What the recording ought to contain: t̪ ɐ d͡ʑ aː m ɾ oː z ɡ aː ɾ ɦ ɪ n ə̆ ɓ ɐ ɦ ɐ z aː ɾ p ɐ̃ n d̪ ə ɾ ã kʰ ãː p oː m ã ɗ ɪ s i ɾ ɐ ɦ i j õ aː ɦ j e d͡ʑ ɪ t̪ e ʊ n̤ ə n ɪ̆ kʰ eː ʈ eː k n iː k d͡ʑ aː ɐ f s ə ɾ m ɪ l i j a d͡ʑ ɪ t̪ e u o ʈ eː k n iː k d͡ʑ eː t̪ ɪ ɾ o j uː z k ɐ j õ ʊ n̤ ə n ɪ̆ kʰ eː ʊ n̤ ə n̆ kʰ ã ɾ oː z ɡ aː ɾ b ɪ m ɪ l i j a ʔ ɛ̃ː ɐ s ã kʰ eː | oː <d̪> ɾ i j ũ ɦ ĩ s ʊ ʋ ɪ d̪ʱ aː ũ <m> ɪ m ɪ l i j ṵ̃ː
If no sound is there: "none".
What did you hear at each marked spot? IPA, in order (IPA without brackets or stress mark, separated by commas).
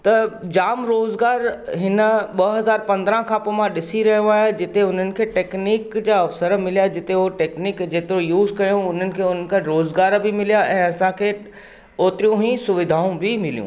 t̪, b